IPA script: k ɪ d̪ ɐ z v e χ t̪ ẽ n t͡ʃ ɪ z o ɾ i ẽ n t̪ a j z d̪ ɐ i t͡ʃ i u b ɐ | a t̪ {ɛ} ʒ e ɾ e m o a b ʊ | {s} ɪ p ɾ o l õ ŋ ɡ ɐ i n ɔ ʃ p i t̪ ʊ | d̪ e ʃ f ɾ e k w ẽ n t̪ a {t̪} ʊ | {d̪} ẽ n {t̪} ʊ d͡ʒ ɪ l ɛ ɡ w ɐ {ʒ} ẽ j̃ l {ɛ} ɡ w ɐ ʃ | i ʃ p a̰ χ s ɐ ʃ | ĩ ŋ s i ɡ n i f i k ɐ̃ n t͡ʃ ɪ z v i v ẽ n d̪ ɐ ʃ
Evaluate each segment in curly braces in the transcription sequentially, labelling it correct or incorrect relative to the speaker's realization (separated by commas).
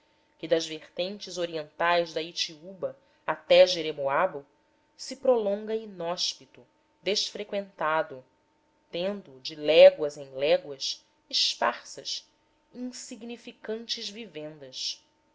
correct, correct, incorrect, incorrect, incorrect, incorrect, correct